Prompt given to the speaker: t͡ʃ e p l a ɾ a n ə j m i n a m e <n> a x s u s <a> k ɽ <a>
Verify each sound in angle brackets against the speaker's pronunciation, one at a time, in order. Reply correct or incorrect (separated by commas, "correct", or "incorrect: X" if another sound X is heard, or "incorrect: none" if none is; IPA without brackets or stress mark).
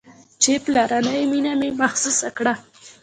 incorrect: m, correct, correct